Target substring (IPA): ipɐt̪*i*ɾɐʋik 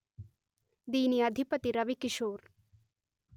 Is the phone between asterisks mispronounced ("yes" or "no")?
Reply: no